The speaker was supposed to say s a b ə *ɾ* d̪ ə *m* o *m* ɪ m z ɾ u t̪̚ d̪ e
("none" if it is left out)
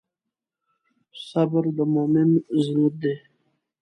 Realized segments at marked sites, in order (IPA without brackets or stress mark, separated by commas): ɾ, m, m